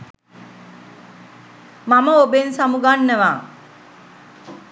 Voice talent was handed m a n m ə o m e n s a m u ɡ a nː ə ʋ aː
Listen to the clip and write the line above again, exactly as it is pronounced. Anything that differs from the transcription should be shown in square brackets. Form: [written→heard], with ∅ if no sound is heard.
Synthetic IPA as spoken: m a [n→∅] m ə o [m→b] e n s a m u ɡ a nː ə ʋ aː